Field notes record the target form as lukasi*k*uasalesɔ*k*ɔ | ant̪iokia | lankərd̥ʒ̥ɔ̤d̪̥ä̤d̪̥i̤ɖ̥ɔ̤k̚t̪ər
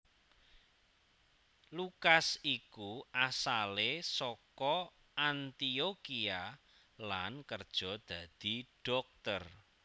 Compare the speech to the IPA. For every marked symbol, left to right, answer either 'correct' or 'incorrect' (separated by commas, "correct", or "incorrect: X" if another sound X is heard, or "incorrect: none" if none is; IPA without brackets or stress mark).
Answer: correct, correct